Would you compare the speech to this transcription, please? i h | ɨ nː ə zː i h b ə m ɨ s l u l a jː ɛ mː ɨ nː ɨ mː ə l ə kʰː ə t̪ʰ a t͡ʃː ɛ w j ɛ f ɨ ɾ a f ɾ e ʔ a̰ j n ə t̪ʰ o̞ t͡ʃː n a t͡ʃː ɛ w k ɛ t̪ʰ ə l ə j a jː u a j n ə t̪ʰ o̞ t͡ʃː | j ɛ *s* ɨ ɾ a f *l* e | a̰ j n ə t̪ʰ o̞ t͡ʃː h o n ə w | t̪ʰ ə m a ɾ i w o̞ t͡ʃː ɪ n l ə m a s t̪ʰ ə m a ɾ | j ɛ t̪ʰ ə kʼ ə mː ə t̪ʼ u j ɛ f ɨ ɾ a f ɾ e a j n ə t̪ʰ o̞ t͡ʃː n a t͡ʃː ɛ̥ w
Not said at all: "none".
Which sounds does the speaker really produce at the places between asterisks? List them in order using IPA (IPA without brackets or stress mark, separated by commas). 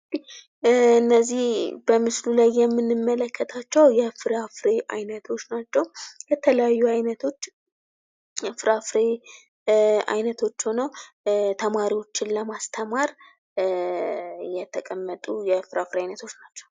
f, ɾ